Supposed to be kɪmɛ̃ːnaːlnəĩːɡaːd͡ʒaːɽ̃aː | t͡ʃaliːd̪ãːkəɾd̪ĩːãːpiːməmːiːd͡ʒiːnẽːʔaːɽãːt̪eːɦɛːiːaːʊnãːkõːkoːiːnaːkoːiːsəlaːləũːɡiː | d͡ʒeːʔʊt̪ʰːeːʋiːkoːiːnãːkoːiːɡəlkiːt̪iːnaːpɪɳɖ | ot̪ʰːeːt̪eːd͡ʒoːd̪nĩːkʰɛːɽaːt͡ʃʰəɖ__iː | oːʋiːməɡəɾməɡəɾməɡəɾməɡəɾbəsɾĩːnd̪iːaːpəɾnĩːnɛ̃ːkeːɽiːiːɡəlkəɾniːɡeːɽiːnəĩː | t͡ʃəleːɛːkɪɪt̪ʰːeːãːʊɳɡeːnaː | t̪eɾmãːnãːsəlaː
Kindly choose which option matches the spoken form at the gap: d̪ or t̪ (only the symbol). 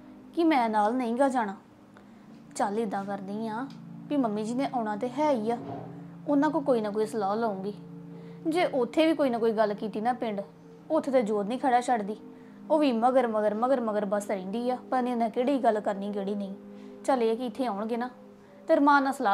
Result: d̪